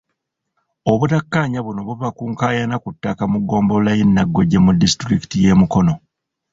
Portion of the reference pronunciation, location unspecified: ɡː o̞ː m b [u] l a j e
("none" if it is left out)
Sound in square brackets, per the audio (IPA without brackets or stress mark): o